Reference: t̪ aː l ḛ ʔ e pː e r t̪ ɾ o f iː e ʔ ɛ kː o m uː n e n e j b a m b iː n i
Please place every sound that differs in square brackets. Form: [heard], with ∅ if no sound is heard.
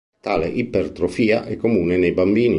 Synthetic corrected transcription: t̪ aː l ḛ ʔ [i] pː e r t̪ ɾ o f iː [a] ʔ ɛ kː o m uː n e n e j b a m b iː n i

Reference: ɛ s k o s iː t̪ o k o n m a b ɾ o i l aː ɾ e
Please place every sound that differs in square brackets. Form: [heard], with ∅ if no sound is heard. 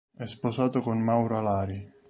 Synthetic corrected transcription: ɛ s [p] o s [aː] t̪ o k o n m a [w] ɾ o [a] l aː ɾ [i]

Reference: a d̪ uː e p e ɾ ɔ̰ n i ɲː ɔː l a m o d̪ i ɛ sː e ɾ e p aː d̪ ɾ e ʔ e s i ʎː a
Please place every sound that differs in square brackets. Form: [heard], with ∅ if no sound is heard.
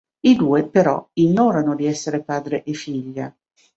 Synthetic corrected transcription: [i] d̪ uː e p e ɾ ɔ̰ [∅] i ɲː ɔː [ɾ] a [n] o d̪ i ɛ sː e ɾ e p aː d̪ ɾ e ʔ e [f] i ʎː a

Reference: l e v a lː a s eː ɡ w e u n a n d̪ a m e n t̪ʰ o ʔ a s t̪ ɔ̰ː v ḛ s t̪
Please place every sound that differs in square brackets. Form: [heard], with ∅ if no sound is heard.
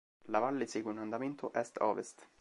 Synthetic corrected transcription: l [a] v a lː [e] s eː ɡ w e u n a n d̪ a m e n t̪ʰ o ʔ [ɛ] s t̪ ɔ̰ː v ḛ s t̪

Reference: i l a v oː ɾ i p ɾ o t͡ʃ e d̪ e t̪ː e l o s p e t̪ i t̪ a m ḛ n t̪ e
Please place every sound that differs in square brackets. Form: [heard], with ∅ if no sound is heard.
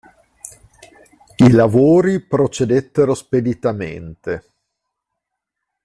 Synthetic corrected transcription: i l a v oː ɾ i p ɾ o t͡ʃ e d̪ e t̪ː e [ɾ] o s p e [d̪] i t̪ a m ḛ n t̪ e

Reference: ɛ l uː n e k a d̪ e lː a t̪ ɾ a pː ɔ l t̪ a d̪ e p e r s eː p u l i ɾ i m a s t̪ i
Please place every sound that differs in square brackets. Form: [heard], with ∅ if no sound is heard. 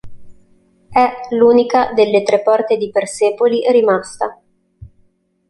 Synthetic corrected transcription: ɛ l uː n [i] k a d̪ e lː [e] t̪ ɾ [e] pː ɔ [r] t̪ [e] d̪ [i] p e r s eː p [o] l i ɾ i m a s t̪ [a]

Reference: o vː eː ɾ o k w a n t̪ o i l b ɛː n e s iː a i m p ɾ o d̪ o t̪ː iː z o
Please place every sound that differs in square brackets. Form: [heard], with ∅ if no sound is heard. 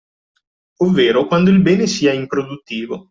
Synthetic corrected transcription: o vː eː ɾ o k w a n [d̪] o i l b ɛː n e s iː a i m p ɾ o d̪ [u] t̪ː iː [v] o

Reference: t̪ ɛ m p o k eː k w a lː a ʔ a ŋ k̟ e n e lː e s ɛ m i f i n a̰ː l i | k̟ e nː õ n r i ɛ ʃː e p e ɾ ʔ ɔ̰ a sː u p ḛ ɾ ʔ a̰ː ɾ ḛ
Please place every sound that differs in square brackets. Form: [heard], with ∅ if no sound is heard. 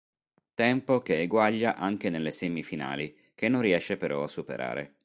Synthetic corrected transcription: t̪ ɛ m p o k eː [ɡ] w a [ʎː] a ʔ a ŋ k̟ e n e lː e s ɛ m i f i n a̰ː l i | k̟ e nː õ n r i ɛ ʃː e p e ɾ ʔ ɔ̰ a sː u p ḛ ɾ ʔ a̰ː ɾ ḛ

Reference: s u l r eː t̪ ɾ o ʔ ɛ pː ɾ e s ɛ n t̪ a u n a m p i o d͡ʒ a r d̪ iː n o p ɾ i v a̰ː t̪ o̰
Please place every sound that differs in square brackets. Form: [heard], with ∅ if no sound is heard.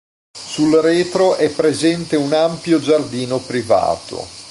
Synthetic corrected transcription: s u l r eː t̪ ɾ o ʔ ɛ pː ɾ e [z] ɛ n t̪ [e] u n a m p [j] o d͡ʒ a r d̪ iː n o p ɾ i v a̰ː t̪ o̰

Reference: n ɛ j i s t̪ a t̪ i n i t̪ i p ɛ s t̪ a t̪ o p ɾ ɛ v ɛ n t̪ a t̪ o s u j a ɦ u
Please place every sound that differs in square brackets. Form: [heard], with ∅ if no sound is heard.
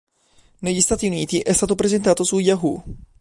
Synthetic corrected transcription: n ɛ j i s t̪ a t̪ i n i t̪ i [ʔ] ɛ s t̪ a t̪ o p ɾ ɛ [z] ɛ n t̪ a t̪ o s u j a ɦ u

